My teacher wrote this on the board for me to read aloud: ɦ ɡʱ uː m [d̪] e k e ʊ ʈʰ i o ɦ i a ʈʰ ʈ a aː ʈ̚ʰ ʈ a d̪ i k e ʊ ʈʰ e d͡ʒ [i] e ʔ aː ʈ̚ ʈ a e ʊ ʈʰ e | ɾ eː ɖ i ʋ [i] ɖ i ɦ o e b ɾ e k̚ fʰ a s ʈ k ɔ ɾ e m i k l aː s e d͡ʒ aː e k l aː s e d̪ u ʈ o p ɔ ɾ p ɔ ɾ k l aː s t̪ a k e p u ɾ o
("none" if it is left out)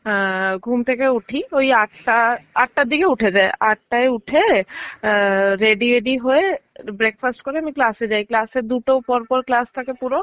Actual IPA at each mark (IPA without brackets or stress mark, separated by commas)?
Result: t̪, a, e